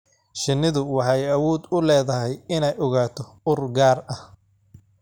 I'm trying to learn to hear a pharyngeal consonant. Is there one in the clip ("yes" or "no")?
yes